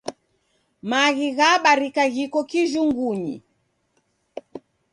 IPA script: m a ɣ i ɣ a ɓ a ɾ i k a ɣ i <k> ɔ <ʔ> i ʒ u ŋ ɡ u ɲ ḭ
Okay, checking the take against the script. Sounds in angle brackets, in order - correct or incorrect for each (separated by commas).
correct, incorrect